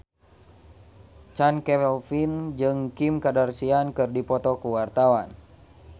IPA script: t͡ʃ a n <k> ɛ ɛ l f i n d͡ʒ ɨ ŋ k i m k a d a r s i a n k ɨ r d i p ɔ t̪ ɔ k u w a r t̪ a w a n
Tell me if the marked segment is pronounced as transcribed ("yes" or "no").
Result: yes